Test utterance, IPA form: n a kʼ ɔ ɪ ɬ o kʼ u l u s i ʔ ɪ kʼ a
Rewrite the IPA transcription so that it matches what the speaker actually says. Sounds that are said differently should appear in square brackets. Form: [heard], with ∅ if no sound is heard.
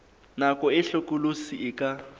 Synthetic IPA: n a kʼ ɔ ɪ ɬ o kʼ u l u s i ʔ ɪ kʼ a